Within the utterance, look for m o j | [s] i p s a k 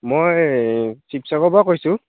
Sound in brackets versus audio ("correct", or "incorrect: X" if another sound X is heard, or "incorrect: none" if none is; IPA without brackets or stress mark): correct